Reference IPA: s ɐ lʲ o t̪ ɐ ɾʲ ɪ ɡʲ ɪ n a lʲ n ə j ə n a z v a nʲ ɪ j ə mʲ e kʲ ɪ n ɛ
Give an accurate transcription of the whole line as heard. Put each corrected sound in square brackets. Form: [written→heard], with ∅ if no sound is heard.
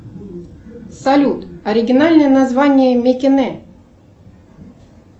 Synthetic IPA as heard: s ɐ lʲ [o→u] t̪ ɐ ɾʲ ɪ ɡʲ ɪ n a lʲ n ə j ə n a z v a nʲ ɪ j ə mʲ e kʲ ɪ n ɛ